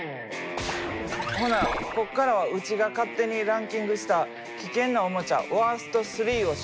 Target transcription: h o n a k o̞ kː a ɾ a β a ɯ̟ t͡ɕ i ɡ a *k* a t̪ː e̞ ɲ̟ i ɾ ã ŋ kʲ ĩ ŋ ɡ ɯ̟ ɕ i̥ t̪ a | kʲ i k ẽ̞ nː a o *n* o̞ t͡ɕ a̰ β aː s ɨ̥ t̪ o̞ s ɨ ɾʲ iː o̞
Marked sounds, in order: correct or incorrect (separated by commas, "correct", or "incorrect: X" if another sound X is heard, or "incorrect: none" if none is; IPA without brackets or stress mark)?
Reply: correct, incorrect: m